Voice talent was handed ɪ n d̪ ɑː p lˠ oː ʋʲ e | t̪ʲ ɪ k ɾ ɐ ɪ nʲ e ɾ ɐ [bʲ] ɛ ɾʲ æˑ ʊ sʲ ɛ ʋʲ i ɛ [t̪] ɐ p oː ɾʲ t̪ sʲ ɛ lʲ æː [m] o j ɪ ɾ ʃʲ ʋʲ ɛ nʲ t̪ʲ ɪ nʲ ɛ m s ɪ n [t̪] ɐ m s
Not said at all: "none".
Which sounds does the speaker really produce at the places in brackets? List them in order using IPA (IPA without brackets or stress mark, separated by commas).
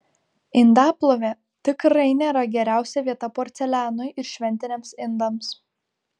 ɡʲ, t̪, n, d̪